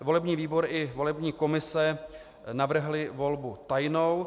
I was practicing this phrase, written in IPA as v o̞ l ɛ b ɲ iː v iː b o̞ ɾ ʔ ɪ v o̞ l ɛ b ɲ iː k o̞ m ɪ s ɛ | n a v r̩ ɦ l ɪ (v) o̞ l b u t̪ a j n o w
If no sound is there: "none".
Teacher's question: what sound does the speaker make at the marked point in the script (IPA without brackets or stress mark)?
v